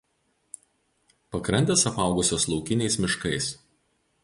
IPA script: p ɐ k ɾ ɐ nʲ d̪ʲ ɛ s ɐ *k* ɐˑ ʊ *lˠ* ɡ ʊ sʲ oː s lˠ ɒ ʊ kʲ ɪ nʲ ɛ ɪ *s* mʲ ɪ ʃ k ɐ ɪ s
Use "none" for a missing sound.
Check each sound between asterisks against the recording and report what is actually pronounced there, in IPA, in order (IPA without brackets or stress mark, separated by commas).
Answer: p, none, s